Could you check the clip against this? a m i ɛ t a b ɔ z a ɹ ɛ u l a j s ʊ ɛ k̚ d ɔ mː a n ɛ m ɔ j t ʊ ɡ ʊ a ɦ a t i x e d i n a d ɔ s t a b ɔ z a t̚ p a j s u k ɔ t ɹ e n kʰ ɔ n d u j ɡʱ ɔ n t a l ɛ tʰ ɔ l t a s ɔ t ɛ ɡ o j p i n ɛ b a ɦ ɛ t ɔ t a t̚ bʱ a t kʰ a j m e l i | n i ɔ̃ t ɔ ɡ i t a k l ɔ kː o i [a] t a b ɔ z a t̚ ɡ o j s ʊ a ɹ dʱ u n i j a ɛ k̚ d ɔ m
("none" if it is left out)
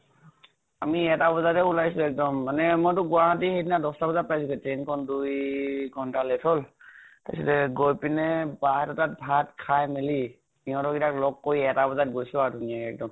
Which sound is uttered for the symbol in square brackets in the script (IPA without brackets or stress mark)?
ɛ